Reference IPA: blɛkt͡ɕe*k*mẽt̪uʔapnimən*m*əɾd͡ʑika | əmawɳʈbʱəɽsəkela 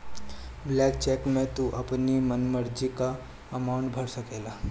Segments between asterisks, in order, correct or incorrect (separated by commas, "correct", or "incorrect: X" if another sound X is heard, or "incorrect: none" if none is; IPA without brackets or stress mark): correct, correct